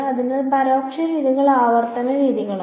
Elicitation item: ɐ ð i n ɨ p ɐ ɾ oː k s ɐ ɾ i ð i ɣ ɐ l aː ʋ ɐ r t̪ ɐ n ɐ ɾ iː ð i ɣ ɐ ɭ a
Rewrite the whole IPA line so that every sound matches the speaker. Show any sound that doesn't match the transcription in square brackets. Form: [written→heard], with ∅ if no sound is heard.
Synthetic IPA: ɐ ð i n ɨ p ɐ ɾ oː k [s→ʂ] ɐ ɾ [i→iː] ð i ɣ ɐ [l→ɭ] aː ʋ ɐ r t̪ ɐ n ɐ ɾ iː ð i ɣ ɐ ɭ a